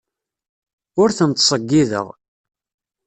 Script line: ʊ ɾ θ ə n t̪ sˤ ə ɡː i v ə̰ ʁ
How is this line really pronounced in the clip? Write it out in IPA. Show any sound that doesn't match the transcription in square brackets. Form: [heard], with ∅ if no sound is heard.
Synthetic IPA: ʊ ɾ θ ə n t̪ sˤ ə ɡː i [ð] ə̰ ʁ